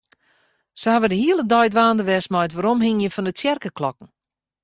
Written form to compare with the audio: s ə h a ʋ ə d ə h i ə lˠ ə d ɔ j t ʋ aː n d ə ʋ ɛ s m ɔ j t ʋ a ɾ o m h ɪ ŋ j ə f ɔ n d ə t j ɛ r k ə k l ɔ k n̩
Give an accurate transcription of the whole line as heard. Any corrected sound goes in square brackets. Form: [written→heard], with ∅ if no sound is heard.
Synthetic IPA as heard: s ə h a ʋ ə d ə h i ə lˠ ə d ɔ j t ʋ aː n d ə ʋ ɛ s m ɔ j t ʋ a ɾ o m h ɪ ŋ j ə f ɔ n d ə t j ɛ r k ə k l ɔ k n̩